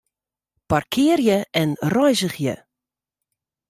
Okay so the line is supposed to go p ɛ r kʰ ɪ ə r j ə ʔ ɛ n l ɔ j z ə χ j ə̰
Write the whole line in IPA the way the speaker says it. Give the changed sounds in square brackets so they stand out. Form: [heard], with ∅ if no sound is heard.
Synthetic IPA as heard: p [a] r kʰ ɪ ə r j ə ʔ ɛ n [r] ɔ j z ə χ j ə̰